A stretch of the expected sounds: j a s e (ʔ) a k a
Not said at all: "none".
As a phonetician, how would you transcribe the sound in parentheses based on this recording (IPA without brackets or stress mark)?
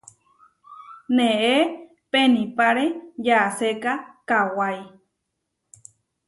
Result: k